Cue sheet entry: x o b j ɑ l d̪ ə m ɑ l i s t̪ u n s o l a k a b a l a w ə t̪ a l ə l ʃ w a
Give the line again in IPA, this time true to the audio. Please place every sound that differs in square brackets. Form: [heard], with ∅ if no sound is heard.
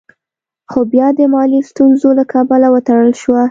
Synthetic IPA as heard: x o b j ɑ [∅] d̪ ə m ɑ l i s t̪ u n [z] o l a k [ɑ] b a l a w ə t̪ a [ɽ] ə l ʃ w a